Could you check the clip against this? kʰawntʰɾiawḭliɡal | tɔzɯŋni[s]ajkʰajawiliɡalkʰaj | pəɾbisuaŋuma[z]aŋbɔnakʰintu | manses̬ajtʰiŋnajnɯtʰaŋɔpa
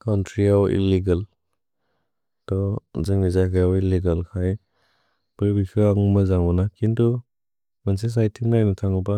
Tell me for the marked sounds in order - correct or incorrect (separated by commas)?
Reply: incorrect, correct